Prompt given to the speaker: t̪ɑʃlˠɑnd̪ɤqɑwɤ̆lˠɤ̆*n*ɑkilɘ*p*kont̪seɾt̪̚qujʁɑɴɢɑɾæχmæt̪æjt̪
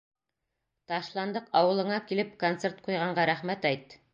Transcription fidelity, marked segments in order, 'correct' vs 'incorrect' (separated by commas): incorrect, correct